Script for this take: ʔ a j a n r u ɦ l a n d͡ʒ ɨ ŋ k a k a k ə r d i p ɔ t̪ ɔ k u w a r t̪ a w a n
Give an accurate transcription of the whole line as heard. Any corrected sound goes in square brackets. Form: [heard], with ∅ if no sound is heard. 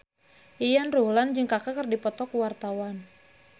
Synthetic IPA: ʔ [i] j a n r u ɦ l a n d͡ʒ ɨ ŋ k a k a k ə r d i p ɔ t̪ ɔ k u w a r t̪ a w a n